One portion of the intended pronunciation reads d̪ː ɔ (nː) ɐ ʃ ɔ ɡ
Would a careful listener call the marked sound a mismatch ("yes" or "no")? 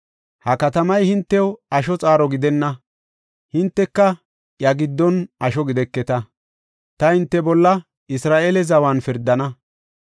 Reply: yes